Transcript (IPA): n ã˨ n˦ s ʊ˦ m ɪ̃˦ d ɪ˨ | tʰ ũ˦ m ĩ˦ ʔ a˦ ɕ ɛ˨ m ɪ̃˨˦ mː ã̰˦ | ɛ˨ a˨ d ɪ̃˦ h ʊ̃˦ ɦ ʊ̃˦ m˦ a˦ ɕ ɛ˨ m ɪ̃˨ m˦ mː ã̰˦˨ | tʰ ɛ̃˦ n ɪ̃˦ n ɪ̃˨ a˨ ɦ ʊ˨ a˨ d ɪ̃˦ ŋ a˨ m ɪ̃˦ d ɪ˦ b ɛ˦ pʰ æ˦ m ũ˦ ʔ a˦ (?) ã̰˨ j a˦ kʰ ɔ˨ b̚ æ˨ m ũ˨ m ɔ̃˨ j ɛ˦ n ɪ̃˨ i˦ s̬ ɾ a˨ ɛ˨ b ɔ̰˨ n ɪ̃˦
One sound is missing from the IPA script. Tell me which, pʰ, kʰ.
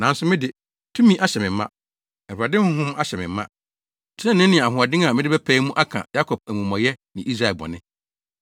kʰ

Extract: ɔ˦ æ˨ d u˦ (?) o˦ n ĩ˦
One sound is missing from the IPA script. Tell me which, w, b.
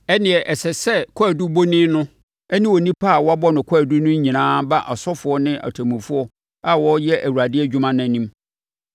b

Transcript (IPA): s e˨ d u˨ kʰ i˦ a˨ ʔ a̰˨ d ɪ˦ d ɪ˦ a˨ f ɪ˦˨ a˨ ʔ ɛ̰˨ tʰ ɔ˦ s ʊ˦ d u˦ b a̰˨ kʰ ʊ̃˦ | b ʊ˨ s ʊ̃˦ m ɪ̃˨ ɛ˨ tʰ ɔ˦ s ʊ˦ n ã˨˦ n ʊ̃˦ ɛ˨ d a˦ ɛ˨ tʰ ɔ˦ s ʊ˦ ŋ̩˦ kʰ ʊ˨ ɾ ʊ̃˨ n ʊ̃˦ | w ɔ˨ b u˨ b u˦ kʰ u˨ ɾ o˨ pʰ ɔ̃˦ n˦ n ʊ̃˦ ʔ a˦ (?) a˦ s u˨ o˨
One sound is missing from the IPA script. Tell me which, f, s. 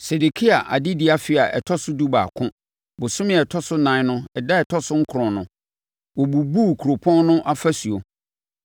f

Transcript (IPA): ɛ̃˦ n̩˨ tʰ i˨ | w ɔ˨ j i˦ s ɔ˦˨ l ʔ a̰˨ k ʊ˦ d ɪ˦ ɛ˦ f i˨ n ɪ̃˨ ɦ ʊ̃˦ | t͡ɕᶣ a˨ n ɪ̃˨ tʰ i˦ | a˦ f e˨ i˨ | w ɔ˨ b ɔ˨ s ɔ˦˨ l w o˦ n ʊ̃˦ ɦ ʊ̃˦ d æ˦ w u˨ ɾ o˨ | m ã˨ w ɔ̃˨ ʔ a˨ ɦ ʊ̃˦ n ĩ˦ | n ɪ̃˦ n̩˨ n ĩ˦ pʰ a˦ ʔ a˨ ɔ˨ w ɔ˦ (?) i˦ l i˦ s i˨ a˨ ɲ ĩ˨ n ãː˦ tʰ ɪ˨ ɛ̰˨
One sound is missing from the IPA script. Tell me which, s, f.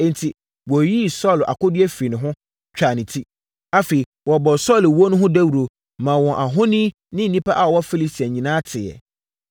f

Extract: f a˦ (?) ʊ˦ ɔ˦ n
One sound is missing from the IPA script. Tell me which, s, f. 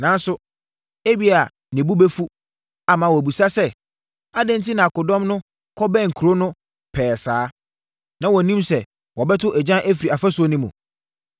s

